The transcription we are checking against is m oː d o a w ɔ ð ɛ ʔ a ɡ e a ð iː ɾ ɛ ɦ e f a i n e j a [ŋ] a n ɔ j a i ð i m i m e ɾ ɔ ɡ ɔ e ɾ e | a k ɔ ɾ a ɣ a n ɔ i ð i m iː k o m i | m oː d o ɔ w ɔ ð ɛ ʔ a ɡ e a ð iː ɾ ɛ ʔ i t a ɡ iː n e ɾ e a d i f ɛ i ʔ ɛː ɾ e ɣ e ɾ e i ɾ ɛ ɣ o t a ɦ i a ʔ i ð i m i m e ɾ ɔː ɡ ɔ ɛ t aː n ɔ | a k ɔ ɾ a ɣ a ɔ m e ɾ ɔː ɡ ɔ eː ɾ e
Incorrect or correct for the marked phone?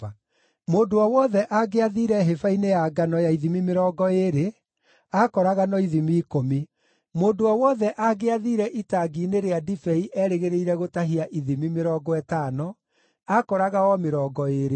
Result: incorrect: ɡ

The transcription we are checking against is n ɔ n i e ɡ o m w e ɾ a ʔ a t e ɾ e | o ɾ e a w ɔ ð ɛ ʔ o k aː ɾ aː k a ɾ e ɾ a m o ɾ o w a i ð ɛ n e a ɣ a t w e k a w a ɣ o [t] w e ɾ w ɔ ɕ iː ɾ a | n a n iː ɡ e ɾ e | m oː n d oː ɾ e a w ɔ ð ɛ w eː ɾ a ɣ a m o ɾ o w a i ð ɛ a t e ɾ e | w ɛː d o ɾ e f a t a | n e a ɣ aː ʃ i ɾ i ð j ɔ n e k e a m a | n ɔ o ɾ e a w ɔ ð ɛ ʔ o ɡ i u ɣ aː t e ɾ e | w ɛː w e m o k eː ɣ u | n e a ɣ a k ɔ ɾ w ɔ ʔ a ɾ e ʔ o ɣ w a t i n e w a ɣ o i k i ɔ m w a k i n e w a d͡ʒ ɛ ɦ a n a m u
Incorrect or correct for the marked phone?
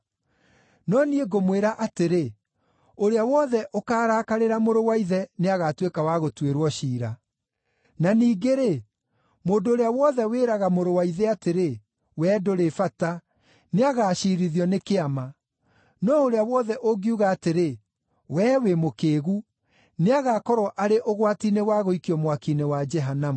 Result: correct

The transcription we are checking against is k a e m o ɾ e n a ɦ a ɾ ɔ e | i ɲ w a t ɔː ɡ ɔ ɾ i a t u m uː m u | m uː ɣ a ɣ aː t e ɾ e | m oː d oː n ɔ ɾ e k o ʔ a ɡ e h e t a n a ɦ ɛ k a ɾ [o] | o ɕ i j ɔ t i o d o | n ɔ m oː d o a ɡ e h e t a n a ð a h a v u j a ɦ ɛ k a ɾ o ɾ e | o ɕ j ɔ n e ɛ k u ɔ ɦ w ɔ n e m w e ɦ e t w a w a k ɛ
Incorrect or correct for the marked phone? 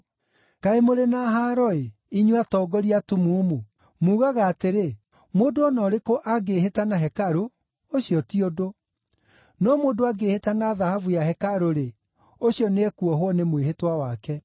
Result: correct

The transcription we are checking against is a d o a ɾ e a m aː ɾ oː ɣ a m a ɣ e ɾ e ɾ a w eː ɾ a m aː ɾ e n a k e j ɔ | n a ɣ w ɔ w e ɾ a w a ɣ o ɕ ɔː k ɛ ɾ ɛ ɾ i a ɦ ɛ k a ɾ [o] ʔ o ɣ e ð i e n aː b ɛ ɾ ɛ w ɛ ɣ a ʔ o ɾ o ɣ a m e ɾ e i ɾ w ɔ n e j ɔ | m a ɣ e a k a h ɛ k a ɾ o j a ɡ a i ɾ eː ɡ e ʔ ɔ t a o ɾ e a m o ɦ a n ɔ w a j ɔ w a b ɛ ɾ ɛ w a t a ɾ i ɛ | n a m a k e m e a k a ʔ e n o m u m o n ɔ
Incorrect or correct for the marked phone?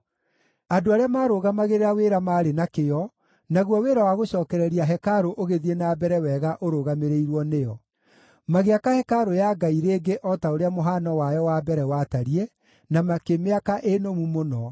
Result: correct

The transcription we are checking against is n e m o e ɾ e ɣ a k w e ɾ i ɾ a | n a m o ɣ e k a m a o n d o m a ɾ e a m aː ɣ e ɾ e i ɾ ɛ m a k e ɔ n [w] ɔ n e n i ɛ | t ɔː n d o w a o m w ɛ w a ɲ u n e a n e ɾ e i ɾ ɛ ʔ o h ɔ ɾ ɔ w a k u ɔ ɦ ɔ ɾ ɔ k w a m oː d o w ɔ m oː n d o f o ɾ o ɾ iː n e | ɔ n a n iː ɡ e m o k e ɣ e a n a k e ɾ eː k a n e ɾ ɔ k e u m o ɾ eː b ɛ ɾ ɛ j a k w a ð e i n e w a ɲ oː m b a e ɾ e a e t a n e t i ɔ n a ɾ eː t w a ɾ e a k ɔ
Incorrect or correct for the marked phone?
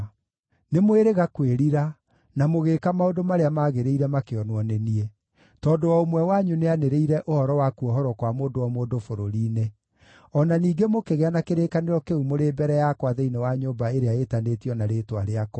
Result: correct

